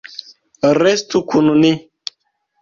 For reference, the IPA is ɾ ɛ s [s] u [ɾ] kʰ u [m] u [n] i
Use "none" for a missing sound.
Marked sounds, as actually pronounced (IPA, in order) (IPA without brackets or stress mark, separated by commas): t, none, n, n